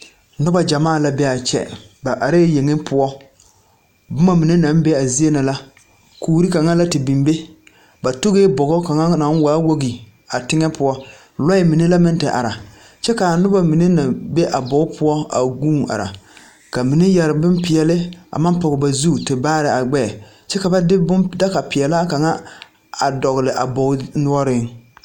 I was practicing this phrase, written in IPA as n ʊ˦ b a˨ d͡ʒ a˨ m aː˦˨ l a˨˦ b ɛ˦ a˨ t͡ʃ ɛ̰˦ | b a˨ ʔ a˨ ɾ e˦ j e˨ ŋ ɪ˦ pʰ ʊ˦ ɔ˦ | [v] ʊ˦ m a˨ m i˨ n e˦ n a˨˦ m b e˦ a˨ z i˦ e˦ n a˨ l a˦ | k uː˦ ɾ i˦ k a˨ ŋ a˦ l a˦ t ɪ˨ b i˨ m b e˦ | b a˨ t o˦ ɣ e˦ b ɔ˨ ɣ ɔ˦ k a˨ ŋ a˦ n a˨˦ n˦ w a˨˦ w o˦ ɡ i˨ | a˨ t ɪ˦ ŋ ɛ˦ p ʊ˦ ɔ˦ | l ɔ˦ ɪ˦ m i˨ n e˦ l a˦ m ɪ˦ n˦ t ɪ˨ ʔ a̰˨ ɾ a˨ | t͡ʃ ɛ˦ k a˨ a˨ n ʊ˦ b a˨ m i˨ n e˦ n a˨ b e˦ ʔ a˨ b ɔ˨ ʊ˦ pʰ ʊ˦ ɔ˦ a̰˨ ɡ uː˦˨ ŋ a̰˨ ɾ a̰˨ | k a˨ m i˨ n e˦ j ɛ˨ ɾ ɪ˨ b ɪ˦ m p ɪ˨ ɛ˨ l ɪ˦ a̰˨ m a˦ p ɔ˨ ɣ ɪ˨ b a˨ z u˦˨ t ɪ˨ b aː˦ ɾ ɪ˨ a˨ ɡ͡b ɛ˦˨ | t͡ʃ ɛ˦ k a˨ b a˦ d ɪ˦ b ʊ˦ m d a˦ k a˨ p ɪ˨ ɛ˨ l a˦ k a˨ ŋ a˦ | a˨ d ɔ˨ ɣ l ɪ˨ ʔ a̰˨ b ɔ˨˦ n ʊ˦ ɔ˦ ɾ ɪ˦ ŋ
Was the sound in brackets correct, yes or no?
no